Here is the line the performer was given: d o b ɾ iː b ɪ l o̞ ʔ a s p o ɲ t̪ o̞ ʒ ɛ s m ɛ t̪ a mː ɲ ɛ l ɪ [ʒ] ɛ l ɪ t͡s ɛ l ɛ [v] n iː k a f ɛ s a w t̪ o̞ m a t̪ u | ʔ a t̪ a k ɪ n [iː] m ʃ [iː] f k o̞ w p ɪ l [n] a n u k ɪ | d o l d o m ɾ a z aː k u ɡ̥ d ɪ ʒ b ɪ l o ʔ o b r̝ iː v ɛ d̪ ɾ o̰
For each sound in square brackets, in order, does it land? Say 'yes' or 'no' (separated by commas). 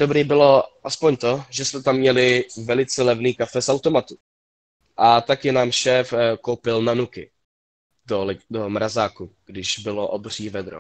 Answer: no, yes, no, no, yes